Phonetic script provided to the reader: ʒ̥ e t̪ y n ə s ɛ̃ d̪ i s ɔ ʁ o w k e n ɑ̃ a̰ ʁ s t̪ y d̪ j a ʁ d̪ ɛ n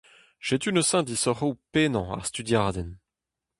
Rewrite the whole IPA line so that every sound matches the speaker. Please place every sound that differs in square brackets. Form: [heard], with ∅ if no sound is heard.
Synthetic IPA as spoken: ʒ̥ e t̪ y n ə s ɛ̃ d̪ i s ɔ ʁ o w [p] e n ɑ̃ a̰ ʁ s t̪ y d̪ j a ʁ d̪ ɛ n